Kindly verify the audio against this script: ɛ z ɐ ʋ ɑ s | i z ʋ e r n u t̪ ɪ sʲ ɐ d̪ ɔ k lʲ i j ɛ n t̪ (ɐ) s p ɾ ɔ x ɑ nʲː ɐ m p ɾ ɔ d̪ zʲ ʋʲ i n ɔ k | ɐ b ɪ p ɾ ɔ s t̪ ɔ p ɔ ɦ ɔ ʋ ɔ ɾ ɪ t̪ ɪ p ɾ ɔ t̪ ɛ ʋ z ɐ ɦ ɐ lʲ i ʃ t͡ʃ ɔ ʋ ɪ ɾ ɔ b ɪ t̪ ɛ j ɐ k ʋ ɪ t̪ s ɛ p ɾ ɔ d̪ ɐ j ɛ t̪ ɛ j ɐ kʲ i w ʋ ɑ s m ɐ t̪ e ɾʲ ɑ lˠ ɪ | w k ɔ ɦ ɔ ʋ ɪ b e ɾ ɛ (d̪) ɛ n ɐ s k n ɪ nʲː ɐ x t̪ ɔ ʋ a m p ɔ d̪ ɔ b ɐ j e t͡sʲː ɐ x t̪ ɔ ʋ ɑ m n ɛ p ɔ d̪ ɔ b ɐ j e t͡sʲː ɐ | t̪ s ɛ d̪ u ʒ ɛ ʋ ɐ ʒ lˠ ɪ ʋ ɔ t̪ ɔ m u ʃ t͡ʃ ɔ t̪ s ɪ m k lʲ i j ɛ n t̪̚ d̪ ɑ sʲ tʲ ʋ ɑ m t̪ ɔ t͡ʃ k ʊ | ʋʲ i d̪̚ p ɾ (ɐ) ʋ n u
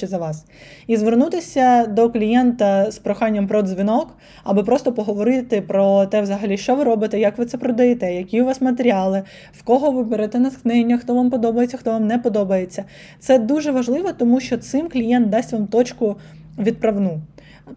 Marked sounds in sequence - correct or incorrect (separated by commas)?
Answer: correct, incorrect, correct